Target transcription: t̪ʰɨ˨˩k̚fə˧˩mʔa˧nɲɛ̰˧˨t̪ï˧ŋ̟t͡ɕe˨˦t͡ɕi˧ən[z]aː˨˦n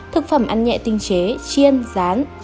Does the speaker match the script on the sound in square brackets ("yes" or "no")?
yes